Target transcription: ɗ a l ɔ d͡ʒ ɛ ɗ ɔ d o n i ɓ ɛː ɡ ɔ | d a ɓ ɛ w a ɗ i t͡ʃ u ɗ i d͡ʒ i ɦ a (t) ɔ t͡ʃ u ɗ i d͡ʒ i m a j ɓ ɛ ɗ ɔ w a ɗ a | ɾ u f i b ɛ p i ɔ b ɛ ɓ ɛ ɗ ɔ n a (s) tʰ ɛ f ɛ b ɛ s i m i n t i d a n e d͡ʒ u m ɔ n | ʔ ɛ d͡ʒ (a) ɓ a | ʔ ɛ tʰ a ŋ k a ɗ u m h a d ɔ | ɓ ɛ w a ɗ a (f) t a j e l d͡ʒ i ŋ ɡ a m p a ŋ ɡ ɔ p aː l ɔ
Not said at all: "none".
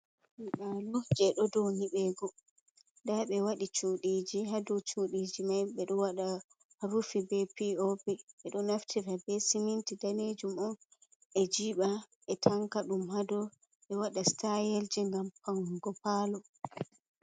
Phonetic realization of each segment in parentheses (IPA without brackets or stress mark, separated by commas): d, f, i, s